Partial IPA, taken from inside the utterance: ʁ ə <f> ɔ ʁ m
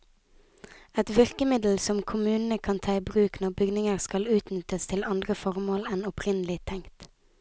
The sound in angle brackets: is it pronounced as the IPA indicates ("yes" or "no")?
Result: yes